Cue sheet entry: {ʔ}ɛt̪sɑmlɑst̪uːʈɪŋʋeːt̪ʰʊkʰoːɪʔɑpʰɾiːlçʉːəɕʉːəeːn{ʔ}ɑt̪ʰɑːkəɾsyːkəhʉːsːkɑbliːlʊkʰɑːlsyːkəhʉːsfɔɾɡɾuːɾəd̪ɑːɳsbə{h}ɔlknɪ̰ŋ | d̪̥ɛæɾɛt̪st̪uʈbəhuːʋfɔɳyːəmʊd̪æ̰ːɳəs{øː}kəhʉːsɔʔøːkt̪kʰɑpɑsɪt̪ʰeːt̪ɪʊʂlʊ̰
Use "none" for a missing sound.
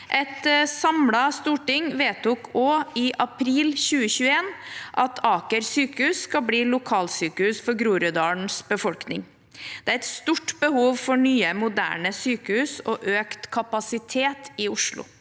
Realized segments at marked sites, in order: ʔ, ʔ, f, yː

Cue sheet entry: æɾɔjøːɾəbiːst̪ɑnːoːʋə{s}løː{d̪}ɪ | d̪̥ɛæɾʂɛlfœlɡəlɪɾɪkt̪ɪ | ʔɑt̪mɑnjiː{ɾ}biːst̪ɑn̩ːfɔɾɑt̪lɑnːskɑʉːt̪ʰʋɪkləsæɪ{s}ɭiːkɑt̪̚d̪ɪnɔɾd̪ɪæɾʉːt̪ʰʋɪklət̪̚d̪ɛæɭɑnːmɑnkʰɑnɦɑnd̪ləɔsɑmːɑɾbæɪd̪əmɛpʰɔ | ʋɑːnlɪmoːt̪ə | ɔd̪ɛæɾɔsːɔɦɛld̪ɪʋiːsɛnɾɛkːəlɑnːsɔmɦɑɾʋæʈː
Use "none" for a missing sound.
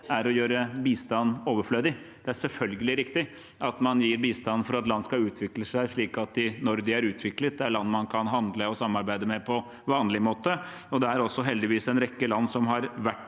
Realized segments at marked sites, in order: f, d̪, ɾ, ʂ

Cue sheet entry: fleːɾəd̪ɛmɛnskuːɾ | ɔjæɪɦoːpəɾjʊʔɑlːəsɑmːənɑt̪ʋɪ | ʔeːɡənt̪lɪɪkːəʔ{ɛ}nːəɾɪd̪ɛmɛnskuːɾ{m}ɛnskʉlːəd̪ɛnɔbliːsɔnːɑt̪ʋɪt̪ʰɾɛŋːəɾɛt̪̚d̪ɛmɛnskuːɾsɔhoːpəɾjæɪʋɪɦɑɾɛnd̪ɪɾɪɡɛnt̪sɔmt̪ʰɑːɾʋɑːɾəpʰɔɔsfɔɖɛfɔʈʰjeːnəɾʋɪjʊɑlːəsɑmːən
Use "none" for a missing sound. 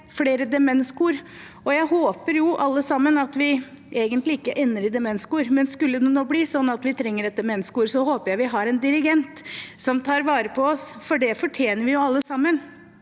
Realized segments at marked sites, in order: ɛ, m

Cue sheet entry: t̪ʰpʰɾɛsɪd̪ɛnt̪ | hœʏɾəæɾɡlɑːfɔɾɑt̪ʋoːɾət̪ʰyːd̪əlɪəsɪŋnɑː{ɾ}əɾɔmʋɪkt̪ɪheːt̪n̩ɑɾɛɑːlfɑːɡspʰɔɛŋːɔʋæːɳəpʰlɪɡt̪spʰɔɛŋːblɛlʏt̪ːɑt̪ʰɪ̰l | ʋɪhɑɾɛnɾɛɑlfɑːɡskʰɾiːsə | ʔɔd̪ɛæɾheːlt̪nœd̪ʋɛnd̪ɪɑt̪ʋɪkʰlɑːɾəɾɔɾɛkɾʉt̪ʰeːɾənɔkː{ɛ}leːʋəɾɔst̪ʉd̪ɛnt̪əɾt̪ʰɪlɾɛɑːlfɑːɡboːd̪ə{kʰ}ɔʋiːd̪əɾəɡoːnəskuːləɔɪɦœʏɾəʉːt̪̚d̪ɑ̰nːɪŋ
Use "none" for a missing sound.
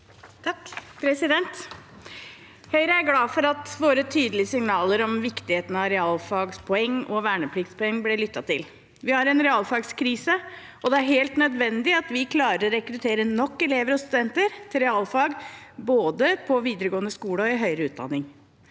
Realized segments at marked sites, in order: l, ɛ, pʰ

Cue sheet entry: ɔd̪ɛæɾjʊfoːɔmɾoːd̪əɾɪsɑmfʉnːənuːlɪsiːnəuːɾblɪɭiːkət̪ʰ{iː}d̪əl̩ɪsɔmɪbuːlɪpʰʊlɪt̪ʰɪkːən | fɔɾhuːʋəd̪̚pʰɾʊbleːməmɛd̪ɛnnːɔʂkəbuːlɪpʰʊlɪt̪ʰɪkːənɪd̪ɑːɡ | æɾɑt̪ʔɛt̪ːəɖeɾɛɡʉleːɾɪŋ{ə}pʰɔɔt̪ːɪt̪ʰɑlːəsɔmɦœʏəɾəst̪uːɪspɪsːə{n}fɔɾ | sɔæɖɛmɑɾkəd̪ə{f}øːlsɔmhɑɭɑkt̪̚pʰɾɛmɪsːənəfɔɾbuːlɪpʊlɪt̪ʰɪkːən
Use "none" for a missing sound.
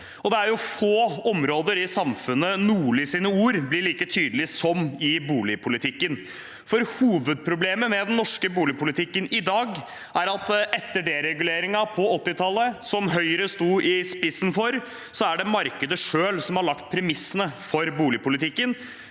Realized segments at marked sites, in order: yː, ɑ, n, ʂ

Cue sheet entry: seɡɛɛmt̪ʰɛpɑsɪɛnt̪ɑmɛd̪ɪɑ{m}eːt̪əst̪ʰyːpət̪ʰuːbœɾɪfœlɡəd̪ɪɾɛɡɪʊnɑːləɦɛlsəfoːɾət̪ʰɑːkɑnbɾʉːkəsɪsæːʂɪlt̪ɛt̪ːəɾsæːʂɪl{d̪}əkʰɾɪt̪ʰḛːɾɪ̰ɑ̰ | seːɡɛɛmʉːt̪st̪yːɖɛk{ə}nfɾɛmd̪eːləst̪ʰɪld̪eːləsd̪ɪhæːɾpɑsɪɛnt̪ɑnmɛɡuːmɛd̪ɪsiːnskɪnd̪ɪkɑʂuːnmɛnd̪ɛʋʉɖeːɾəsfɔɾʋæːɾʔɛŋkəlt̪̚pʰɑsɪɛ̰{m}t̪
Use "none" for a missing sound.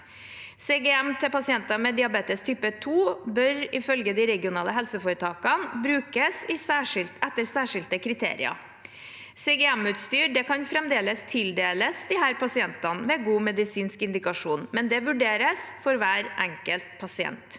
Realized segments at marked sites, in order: b, t̪, ɑ, n

